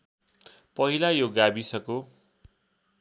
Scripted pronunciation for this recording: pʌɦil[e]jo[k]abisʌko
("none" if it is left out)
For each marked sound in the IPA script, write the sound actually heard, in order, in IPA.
a, ɡ

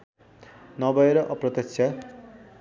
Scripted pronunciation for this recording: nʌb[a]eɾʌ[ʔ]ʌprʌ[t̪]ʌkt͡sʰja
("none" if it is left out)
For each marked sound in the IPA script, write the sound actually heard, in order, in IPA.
ʌ, ʔ, t̪

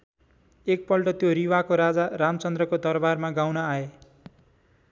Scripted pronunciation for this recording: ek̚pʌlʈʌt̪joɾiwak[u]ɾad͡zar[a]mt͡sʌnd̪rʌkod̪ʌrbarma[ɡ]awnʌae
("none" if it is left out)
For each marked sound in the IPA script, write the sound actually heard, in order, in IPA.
o, a, ɡ

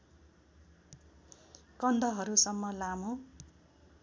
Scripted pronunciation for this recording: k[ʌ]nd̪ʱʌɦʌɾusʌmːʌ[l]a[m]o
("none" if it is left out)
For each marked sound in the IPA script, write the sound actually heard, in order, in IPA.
ʌ, l, m

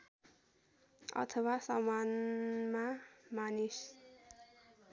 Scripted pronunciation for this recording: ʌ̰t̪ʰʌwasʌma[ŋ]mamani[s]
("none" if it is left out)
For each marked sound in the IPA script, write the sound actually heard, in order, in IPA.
n, s

